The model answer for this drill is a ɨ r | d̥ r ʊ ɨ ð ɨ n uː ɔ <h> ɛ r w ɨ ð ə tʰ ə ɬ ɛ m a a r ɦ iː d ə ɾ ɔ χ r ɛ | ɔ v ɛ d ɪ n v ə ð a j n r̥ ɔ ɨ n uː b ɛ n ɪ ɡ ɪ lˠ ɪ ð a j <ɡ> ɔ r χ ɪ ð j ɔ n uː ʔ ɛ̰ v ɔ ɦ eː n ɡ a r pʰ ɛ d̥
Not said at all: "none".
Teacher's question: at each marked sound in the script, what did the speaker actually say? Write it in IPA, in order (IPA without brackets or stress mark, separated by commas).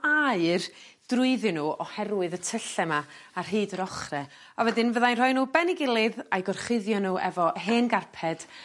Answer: h, ɡ